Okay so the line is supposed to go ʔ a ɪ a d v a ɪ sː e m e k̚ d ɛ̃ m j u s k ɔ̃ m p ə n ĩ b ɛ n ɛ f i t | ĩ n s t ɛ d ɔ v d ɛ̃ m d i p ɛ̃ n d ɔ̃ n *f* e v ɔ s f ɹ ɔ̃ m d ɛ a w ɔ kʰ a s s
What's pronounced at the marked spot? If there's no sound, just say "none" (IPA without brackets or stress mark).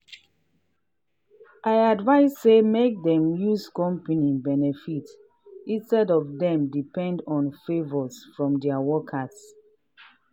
f